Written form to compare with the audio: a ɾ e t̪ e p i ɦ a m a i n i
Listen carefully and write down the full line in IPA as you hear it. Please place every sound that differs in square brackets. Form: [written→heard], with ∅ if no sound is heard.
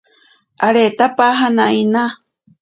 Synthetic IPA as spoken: a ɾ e t̪ [e→a] p [i→a] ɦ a [m→n] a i n [i→a]